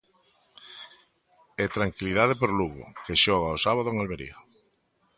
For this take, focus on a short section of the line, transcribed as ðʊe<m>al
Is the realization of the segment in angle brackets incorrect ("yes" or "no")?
yes